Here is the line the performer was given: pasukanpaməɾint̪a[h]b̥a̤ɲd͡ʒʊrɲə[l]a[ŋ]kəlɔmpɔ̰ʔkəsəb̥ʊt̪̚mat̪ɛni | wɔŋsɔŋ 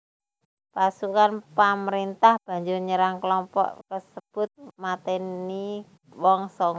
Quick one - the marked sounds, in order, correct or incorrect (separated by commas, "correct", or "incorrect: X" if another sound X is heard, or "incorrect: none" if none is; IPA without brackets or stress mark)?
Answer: correct, incorrect: ɾ, correct